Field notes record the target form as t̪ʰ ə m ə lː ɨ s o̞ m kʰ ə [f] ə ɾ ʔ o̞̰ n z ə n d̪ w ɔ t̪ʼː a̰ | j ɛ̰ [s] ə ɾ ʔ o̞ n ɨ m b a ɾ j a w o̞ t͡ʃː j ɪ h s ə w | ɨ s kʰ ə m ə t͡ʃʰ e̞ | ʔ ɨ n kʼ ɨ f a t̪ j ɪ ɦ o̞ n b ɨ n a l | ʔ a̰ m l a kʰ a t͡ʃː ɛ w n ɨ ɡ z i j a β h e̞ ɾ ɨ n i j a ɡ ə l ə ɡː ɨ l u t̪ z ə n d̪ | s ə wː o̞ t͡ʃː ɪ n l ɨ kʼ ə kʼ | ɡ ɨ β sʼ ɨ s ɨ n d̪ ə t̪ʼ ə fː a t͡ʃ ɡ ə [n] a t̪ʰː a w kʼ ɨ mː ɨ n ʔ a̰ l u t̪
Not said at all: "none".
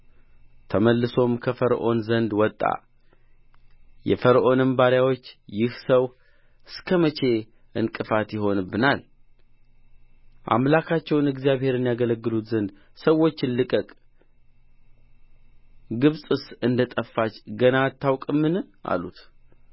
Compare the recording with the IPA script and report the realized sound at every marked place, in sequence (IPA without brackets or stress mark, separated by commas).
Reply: f, f, n